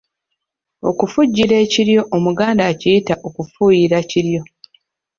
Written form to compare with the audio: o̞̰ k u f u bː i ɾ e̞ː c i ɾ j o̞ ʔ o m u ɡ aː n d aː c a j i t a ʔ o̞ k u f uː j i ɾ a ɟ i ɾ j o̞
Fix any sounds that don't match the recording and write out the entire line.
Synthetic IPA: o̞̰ k u f u ɟː i ɾ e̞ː c i ɾ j o̞ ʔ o m u ɡ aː n d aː c i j i t a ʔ o̞ k u f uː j i ɾ a c i ɾ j o̞